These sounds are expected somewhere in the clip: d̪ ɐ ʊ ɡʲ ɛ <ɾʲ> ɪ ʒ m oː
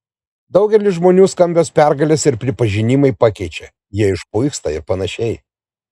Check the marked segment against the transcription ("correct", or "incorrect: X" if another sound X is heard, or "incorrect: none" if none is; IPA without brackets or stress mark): incorrect: lʲ